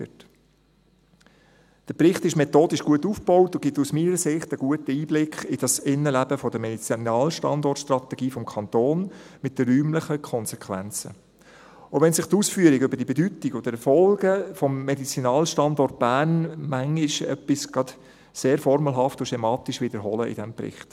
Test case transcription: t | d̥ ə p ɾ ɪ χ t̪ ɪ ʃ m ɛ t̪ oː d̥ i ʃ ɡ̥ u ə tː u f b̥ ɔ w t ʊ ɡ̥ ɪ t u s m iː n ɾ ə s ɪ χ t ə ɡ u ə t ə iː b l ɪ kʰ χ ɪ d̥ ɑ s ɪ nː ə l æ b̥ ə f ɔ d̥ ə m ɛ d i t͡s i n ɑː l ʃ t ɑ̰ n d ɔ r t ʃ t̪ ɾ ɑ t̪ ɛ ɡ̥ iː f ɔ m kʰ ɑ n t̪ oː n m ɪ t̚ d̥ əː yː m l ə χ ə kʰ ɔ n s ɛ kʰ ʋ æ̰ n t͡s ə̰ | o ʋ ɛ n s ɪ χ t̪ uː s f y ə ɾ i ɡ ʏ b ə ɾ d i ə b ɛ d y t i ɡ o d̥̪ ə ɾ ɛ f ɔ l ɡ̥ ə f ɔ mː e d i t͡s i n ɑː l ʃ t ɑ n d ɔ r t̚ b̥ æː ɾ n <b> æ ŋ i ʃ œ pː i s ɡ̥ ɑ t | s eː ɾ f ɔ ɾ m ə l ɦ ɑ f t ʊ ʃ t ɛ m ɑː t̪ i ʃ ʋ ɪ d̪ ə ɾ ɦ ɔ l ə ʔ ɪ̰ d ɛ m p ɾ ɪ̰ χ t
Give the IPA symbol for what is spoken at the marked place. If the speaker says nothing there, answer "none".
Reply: m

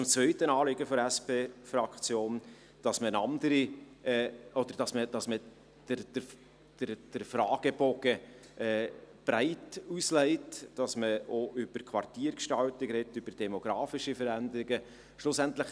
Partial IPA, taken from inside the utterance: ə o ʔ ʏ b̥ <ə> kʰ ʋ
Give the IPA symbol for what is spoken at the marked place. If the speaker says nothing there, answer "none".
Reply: ə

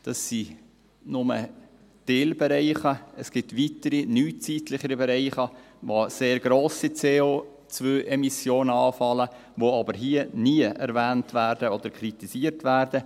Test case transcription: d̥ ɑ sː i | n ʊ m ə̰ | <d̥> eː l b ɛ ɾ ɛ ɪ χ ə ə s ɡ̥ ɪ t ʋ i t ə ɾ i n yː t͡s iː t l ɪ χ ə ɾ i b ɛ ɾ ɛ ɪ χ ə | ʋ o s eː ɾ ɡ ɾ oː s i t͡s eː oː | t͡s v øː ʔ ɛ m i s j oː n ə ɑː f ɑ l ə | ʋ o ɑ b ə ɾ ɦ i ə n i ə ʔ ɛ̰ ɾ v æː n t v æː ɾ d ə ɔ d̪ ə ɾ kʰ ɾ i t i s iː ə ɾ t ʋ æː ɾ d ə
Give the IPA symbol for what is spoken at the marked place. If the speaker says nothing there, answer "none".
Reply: d̥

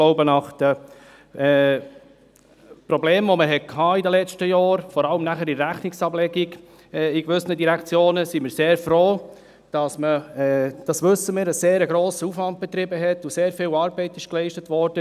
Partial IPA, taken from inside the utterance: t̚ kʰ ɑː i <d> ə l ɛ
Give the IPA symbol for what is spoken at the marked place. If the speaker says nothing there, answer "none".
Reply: d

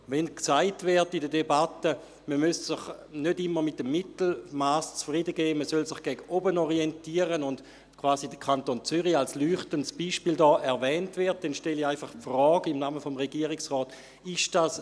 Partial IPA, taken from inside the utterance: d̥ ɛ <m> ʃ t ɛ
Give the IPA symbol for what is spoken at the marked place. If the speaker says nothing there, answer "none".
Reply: n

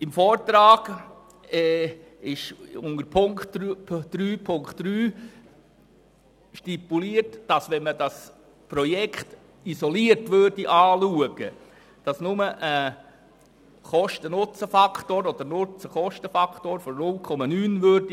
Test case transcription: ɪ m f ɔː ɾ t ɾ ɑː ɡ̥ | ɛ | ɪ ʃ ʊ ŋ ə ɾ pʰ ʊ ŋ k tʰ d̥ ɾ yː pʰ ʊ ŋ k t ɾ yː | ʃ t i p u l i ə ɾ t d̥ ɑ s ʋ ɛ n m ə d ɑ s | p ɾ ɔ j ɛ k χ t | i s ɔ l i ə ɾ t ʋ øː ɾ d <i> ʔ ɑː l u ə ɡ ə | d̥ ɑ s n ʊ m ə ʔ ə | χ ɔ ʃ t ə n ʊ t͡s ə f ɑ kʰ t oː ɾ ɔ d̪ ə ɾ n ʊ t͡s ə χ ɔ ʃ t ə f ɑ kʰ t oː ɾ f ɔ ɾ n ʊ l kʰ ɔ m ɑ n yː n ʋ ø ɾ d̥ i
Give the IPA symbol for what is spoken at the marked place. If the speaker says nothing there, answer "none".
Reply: i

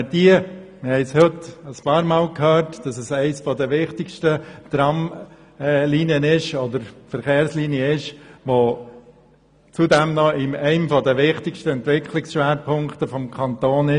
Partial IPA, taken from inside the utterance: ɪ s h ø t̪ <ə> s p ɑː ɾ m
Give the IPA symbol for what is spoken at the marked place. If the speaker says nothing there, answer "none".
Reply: ə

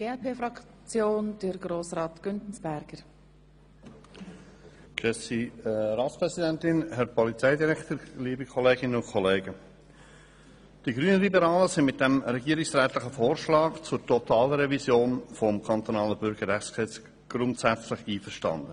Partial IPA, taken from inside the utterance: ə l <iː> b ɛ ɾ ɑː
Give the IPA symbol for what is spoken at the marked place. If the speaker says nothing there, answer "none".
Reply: i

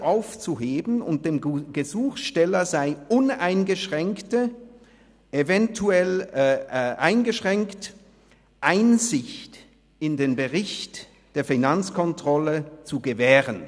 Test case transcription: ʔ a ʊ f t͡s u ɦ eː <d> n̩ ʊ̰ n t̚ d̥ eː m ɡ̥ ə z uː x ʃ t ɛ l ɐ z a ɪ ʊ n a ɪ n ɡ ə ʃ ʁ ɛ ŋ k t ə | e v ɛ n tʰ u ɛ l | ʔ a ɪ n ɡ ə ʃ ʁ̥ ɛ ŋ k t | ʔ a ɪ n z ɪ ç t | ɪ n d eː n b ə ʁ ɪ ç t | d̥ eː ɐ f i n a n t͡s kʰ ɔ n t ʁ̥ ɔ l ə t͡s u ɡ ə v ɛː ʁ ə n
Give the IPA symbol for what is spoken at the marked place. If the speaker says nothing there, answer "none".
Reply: b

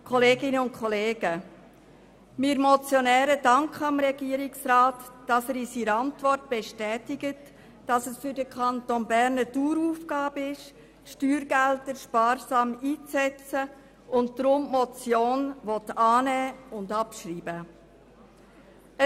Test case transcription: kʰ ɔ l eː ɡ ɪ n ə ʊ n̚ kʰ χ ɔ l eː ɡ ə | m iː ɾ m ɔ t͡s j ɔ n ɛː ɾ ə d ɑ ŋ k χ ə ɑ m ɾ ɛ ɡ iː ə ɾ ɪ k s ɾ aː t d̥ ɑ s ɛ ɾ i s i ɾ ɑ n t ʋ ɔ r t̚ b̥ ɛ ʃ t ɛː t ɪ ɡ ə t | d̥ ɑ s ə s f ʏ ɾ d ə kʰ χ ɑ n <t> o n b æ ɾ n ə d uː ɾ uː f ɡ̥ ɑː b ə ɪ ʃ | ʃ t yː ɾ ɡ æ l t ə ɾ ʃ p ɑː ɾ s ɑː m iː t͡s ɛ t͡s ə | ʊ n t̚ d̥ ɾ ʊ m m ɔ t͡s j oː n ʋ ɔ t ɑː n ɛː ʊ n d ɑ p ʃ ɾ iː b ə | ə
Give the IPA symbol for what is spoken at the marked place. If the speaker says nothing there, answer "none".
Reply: t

